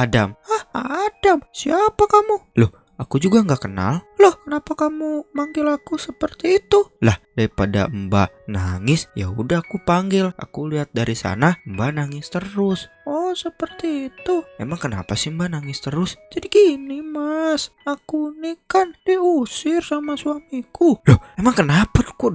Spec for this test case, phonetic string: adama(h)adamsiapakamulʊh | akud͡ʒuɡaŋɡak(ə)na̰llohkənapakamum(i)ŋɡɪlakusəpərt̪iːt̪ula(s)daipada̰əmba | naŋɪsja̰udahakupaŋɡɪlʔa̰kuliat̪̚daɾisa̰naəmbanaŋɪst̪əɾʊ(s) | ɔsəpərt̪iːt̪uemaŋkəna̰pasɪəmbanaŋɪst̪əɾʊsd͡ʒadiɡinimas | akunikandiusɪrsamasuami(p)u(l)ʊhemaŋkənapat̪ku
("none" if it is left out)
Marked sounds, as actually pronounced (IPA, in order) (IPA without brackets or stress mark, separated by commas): h, ə, a, h, s, k, l